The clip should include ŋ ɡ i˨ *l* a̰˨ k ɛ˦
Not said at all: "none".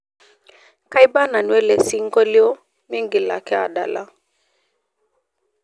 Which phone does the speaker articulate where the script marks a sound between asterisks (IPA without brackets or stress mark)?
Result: l